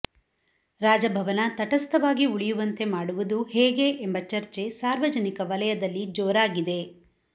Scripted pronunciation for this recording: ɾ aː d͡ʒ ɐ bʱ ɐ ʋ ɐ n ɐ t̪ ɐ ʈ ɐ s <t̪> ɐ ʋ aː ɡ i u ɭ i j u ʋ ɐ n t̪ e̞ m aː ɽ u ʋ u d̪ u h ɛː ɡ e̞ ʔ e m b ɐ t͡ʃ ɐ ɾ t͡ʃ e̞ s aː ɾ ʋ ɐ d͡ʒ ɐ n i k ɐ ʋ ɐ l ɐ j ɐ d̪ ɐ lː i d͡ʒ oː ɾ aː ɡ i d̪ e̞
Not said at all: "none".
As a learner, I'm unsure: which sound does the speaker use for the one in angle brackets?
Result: t̪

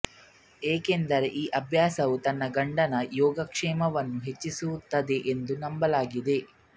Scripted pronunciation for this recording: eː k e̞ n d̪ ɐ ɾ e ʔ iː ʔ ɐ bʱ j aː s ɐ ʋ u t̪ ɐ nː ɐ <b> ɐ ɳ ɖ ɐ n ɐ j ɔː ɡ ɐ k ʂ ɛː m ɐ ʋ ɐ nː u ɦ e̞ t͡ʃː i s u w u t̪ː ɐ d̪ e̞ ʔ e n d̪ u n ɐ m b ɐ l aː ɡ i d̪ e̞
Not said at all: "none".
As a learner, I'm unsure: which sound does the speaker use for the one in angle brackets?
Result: ɡ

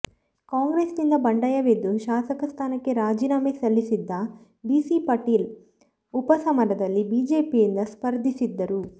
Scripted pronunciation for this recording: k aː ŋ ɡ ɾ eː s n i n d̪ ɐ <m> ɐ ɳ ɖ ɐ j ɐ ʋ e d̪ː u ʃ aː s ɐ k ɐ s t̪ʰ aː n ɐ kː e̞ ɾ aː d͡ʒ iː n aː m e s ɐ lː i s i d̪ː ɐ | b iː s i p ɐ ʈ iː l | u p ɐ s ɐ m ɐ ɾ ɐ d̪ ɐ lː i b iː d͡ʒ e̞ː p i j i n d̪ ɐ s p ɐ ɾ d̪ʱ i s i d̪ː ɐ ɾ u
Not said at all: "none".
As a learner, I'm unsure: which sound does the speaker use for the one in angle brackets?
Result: b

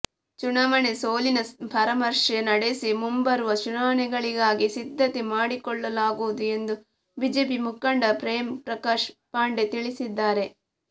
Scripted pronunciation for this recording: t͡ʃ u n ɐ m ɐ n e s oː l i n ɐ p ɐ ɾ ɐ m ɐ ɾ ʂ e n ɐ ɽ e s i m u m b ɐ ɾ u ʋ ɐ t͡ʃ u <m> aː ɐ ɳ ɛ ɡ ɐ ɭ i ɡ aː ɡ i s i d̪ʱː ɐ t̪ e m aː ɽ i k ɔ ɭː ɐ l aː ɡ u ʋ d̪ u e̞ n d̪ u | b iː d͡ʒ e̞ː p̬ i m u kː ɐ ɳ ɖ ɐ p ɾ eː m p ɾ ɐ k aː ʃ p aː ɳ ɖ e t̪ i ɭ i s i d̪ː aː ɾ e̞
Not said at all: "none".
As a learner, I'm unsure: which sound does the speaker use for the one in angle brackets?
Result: n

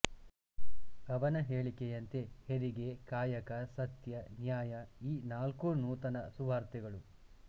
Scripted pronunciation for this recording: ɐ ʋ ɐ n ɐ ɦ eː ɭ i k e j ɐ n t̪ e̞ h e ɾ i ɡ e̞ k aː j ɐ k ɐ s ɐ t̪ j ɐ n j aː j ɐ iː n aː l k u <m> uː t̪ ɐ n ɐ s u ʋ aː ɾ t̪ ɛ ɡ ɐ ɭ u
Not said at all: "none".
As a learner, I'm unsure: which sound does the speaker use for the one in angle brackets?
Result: n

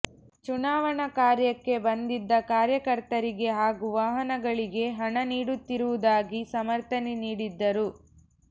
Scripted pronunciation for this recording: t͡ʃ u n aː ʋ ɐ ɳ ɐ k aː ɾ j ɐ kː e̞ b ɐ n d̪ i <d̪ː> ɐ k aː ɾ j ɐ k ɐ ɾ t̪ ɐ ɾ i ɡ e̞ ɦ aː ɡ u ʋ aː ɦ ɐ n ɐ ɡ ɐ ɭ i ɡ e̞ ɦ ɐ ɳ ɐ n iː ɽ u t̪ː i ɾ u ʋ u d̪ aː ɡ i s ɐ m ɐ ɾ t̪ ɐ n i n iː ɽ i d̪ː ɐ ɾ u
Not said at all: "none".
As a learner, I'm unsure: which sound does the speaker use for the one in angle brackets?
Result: d̪ː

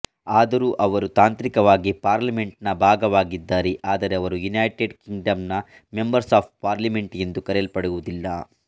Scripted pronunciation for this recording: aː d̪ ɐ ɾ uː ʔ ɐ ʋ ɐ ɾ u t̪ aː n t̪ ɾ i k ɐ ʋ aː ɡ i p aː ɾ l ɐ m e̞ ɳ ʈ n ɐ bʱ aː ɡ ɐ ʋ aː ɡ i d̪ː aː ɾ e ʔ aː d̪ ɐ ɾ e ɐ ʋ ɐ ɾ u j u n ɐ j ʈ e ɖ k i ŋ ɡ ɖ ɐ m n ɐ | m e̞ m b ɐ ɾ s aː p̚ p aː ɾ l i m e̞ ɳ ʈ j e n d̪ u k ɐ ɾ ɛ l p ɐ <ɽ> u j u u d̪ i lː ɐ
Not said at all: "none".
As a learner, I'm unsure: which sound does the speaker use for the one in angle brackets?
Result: ɽ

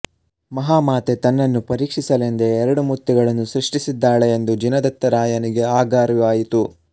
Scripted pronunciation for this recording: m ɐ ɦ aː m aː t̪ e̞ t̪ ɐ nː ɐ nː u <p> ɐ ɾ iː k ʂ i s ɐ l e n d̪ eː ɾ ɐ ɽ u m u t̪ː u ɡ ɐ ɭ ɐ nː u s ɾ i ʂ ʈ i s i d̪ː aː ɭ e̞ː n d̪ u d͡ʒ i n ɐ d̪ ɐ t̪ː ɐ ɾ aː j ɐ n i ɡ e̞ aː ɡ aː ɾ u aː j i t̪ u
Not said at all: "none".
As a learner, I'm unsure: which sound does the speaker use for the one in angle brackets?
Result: p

